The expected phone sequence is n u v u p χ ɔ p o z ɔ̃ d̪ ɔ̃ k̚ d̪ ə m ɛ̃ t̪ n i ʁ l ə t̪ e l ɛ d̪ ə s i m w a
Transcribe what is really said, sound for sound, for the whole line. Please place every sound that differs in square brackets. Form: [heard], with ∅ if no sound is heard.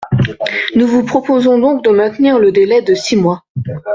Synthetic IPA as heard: n u v u p χ ɔ p o z ɔ̃ d̪ ɔ̃ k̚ d̪ ə m ɛ̃ t̪ n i ʁ l ə [d̪] e l ɛ d̪ ə s i m w a